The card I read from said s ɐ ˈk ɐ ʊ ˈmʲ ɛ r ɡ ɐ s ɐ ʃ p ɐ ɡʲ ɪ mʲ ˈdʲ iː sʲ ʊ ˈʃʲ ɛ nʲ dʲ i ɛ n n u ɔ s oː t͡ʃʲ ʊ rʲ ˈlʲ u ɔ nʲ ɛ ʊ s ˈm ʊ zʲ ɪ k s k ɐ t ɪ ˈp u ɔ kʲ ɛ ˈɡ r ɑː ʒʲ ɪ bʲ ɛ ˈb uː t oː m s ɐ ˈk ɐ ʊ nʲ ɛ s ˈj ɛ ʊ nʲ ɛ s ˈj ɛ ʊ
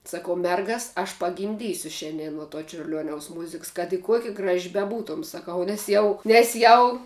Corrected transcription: s ɐ ˈk ɐ ʊ ˈmʲ ɛ r ɡ ɐ s ɐ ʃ p ɐ ɡʲ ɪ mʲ ˈdʲ iː sʲ ʊ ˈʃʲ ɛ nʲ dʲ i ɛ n n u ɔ t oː t͡ʃʲ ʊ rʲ ˈlʲ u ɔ nʲ ɛ ʊ s ˈm ʊ zʲ ɪ k s k ɐ t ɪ ˈk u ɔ kʲ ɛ ˈɡ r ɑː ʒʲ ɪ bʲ ɛ ˈb uː t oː m s ɐ ˈk ɐ ʊ nʲ ɛ s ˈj ɛ ʊ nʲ ɛ s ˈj ɛ ʊ